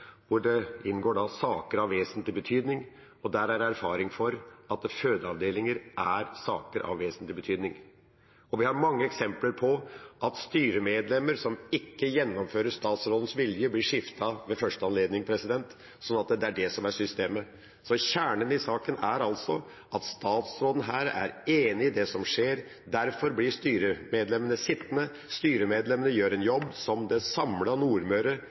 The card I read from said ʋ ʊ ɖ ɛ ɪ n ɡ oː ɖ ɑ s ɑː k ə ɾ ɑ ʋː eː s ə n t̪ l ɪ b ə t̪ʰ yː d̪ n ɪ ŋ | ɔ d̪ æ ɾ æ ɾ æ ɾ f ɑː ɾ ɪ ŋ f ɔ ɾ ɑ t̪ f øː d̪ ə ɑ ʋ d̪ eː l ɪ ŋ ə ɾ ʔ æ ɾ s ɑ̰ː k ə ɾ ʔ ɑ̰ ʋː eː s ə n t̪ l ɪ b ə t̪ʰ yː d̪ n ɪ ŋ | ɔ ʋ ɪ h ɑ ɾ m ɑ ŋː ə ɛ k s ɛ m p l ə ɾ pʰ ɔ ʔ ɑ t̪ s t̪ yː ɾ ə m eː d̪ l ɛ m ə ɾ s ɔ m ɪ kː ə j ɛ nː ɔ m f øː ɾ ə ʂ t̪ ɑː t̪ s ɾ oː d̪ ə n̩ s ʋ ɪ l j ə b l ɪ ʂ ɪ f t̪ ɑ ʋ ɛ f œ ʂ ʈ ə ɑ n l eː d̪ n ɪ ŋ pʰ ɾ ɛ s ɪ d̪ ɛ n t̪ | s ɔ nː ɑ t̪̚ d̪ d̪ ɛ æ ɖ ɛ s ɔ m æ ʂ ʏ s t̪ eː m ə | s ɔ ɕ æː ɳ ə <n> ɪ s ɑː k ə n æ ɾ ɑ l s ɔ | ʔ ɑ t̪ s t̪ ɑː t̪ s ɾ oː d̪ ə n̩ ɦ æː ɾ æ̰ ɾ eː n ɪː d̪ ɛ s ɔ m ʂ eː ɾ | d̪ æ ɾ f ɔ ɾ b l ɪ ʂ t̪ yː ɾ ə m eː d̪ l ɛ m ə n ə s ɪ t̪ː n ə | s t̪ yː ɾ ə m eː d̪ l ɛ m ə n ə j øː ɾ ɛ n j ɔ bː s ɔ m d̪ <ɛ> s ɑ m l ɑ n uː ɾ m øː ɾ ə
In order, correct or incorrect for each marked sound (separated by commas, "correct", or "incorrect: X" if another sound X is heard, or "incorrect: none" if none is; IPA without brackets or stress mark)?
correct, correct